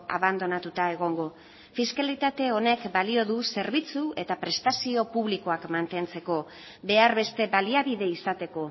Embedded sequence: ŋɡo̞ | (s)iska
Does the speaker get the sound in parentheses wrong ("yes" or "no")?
yes